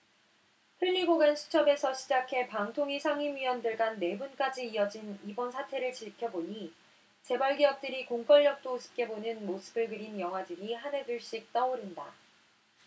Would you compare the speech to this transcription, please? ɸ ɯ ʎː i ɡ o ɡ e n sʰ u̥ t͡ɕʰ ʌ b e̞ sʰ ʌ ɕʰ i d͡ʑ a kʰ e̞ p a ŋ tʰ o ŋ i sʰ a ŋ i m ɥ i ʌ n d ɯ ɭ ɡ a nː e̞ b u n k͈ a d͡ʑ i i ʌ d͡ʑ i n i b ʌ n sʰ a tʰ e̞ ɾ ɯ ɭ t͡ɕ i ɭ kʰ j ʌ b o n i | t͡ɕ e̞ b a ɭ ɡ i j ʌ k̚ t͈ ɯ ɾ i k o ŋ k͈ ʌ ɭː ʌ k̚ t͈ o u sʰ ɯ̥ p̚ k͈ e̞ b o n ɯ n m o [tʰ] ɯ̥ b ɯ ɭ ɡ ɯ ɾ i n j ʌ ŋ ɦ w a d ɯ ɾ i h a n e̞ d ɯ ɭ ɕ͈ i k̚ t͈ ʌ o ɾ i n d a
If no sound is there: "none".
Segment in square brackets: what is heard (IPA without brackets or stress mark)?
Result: sʰ